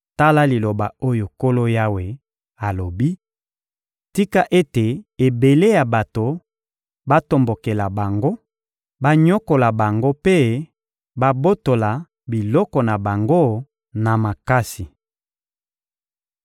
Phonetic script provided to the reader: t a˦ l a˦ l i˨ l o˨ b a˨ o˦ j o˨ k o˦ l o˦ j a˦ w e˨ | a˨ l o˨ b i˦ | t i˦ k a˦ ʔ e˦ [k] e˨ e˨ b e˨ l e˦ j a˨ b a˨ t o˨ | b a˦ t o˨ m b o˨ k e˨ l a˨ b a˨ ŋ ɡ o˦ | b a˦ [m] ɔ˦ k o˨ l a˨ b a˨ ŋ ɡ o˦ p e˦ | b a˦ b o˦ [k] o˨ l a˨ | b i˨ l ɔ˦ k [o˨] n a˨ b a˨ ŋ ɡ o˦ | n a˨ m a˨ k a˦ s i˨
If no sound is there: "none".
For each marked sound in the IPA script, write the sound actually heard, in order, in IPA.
t, ɲ, t, ɔ˨

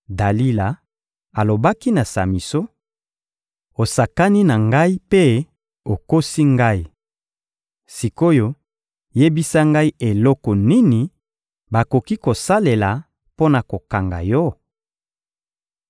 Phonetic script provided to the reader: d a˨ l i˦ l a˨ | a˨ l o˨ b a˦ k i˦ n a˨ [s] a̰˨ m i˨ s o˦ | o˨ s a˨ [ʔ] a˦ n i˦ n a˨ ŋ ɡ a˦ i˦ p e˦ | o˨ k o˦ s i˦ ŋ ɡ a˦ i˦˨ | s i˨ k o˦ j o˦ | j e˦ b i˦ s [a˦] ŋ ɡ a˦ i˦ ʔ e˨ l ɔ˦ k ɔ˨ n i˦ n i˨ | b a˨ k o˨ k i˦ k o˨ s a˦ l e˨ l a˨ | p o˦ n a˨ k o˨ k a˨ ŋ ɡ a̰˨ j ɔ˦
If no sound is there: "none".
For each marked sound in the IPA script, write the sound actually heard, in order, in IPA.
s, k, a˦

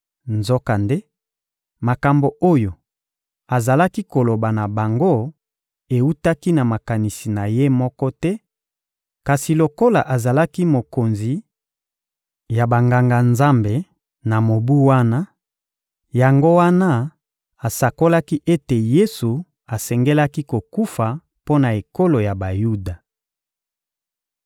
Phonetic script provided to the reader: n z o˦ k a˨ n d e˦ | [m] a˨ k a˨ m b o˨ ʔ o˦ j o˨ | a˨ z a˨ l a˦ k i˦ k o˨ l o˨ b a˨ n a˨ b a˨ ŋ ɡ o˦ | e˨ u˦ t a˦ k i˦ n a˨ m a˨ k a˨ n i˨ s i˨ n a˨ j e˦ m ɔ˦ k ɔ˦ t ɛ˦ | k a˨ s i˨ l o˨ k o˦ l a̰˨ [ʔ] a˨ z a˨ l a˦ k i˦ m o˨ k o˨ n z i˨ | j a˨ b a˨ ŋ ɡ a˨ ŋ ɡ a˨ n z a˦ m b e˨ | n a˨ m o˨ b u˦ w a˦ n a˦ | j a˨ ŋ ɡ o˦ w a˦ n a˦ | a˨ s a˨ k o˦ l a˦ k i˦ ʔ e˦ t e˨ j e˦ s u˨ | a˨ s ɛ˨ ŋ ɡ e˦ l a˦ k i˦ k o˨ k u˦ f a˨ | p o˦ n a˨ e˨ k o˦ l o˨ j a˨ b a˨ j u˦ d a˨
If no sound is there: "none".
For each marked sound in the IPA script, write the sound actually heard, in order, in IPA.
m, ʔ

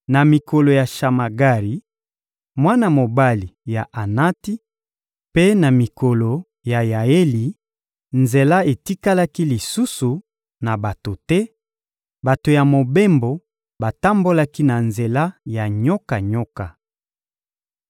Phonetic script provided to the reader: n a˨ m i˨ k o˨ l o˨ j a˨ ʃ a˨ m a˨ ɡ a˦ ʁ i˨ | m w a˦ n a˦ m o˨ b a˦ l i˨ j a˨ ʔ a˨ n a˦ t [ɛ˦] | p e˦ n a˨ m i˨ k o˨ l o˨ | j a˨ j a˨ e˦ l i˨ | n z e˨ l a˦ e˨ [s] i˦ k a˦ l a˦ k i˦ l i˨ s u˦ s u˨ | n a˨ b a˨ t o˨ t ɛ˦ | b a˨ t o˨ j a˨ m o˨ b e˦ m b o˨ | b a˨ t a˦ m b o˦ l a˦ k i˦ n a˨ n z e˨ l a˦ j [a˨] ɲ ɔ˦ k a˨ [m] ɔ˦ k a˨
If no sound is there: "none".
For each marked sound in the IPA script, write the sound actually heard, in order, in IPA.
i˦, t, a˨, ɲ

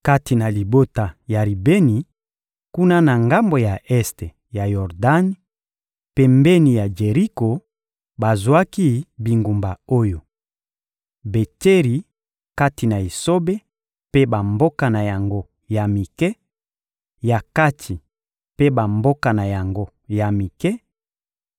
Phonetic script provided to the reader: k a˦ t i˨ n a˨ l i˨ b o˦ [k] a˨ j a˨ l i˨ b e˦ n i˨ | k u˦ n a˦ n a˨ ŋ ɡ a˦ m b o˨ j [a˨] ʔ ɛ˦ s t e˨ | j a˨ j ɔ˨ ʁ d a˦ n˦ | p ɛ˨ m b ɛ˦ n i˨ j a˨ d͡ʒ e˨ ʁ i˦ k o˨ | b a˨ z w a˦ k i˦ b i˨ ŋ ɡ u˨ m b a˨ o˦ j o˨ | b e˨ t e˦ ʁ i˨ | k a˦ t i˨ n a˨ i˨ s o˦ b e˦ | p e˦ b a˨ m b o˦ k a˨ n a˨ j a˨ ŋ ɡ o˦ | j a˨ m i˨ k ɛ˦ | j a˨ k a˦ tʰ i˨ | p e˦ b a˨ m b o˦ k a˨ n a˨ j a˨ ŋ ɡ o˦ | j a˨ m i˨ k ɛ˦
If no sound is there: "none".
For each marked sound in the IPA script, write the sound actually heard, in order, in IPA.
t, a˨

